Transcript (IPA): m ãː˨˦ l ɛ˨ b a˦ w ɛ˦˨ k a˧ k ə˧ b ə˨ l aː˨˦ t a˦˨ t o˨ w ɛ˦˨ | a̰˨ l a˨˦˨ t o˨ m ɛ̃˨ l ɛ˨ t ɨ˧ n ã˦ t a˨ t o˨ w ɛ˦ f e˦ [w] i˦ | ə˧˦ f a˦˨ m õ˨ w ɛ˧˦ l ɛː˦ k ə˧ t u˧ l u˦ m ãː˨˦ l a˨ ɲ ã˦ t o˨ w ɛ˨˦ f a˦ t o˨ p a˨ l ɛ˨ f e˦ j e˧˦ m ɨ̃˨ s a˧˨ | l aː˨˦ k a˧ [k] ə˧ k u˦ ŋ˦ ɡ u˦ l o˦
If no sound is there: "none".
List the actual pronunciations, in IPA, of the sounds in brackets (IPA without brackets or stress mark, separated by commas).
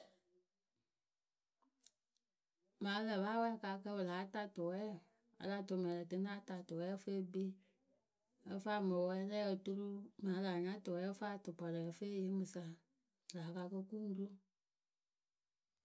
b, k